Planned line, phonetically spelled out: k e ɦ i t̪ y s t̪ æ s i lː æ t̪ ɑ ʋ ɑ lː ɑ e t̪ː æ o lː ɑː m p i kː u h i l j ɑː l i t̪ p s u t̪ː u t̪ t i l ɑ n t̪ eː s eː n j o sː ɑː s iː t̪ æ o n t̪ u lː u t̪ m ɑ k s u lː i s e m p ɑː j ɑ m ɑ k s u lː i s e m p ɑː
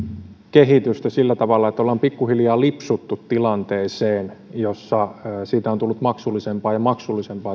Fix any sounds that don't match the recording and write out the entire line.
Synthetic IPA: k e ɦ i t̪ y s t̪ æ s i lː æ t̪ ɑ ʋ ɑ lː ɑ e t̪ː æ o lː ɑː m p i kː u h i l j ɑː l i p s u t̪ː u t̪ t i l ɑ n t̪ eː s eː n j o sː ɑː s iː t̪ æ o n t̪ u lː u t̪ m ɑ k s u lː i s e m p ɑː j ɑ m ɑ k s u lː i s e m p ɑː